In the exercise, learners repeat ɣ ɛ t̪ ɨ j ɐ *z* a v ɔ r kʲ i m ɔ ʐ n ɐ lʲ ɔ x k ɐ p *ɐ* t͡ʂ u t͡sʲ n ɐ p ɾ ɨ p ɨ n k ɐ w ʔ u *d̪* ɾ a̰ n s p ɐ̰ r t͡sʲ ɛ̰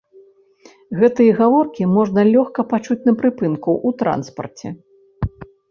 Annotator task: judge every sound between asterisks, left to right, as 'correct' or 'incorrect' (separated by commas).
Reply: incorrect, incorrect, incorrect